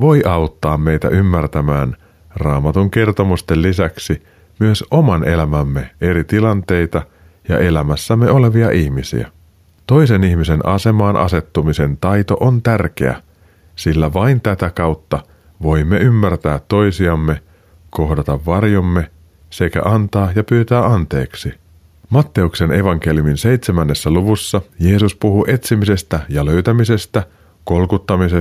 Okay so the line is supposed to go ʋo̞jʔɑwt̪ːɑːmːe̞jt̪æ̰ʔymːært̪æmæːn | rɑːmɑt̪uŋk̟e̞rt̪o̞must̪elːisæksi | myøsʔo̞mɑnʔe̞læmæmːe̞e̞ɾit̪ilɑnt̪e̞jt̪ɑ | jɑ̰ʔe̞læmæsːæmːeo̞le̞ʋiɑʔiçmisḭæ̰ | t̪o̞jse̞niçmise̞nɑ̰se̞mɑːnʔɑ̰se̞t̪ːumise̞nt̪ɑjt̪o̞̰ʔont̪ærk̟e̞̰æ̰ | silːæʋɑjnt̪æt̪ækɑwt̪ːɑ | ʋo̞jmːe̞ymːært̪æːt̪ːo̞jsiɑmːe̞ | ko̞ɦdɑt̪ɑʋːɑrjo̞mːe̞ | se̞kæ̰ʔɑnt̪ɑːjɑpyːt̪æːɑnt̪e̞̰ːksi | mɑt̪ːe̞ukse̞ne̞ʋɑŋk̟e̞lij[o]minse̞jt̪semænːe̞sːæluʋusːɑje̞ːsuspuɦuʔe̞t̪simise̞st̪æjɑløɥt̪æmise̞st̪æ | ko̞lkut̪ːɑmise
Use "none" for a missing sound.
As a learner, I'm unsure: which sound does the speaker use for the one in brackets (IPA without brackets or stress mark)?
u